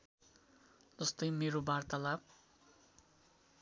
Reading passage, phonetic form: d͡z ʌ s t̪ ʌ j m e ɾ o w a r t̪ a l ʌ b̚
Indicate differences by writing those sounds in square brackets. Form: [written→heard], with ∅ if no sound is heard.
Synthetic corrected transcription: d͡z ʌ s t̪ ʌ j m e ɾ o [w→b] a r t̪ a l [ʌ→a] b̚